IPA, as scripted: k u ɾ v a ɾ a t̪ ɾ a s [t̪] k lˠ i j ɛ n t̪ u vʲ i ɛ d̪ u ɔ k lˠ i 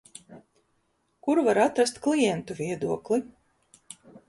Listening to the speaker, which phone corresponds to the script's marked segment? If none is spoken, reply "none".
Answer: t̪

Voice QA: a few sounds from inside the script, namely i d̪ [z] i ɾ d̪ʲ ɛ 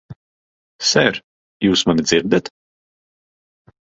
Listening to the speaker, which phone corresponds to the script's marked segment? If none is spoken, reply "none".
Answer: z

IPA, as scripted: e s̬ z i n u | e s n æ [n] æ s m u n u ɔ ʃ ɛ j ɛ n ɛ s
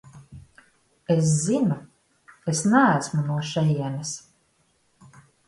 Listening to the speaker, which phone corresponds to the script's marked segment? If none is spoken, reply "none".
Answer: none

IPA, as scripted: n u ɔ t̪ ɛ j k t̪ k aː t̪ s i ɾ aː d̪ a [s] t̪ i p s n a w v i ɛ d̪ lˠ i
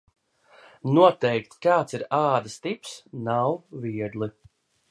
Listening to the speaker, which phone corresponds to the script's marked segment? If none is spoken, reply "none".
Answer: s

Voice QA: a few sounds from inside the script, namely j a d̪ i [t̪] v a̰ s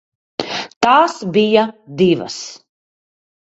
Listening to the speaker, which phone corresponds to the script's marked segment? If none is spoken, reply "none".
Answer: none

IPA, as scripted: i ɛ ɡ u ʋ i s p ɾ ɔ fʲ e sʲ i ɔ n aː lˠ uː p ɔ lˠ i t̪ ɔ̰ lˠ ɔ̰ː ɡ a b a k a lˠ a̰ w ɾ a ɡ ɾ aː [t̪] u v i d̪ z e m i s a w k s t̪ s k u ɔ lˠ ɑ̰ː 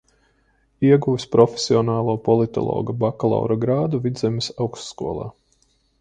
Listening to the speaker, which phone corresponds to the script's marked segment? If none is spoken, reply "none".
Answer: d̪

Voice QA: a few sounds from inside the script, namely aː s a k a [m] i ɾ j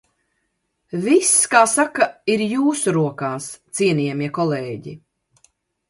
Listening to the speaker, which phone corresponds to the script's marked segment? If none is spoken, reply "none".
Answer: none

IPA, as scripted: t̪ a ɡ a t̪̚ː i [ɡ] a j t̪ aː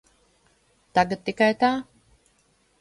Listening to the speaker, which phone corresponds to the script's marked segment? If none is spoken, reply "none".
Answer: k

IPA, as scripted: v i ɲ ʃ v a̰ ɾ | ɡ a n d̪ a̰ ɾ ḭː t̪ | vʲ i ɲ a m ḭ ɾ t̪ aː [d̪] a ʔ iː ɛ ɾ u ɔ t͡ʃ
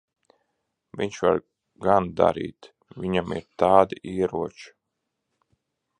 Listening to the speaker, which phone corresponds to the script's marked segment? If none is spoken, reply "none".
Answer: d̪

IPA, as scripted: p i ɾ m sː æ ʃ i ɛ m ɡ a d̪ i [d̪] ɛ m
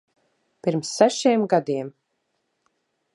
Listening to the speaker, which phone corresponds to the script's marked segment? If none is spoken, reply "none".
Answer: none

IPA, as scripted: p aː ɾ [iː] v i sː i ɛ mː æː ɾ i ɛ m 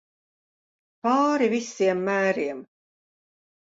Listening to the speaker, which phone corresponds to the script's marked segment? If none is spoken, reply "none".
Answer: i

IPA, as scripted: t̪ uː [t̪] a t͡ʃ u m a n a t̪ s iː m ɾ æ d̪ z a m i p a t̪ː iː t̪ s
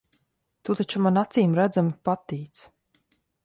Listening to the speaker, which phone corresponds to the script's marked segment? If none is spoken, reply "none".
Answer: t̪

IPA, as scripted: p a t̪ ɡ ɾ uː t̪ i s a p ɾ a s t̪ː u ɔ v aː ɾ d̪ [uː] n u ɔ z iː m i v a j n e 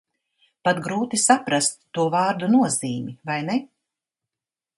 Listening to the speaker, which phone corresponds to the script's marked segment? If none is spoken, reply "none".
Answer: u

